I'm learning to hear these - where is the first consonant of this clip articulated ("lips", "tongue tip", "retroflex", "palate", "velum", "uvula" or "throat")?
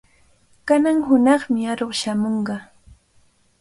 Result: velum